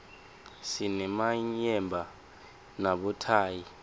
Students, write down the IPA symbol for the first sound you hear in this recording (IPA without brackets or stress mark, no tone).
s